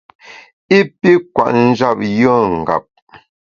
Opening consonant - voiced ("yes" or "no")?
no